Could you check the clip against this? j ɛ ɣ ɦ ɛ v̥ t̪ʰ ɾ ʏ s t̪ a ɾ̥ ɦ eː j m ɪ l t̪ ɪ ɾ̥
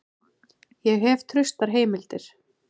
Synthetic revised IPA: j ɛ ɣ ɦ ɛ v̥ t̪ʰ ɾ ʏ s t̪ a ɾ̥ ɦ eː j m ɪ l t̪ ɪ ɾ̥